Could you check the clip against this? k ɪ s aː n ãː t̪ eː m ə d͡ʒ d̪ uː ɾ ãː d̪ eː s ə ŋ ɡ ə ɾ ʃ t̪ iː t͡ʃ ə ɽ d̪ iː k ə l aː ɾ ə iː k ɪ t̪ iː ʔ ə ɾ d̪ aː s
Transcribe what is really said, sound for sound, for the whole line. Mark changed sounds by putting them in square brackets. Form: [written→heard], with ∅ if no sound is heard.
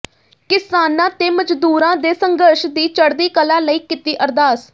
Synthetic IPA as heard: k ɪ s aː n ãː t̪ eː m ə d͡ʒ d̪ uː ɾ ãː d̪ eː s ə ŋ ɡ ə ɾ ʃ [t̪→d̪] iː t͡ʃ ə ɽ d̪ iː k ə l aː [ɾ→l] ə iː k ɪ t̪ iː ʔ ə ɾ d̪ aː s